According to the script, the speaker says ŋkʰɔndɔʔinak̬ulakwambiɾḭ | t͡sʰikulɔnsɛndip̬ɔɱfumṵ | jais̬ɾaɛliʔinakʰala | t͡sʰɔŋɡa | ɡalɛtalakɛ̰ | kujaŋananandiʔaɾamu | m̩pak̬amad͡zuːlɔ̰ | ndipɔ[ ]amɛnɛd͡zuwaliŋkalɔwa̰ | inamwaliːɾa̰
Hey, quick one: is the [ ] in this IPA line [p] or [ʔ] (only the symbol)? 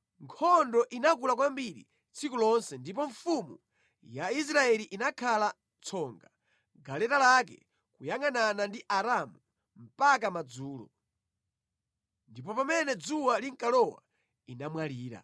p